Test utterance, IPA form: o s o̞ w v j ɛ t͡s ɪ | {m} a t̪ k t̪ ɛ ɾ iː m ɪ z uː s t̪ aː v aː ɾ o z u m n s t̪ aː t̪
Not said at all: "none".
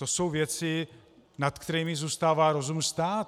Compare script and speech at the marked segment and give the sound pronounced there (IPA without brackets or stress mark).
n